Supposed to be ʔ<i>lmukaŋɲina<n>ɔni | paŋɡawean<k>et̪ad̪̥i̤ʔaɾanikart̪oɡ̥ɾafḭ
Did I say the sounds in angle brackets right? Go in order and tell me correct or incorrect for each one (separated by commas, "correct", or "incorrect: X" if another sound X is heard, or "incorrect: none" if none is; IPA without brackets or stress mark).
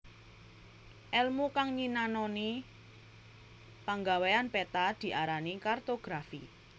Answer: incorrect: ɛ, correct, incorrect: p